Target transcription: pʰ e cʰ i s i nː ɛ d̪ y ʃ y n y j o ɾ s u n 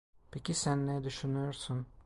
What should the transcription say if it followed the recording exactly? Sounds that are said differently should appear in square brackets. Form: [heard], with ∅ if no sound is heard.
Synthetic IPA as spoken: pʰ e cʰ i s [æ] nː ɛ d̪ y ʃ y n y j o ɾ s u n